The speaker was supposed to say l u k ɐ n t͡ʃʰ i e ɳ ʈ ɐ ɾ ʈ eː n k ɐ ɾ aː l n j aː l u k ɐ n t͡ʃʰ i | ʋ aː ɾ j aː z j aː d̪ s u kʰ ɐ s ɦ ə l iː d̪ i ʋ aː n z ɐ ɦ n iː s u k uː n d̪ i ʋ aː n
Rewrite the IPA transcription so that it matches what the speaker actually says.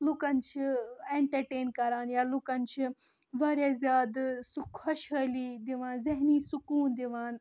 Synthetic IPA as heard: l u k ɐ n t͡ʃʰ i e ɳ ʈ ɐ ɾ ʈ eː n k ɐ ɾ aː n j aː l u k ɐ n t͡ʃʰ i | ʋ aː ɾ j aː z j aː d̪ s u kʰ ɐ ʃ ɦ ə l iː d̪ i ʋ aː n z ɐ ɦ n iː s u k uː n d̪ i ʋ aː n